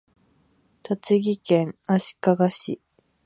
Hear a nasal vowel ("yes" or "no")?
yes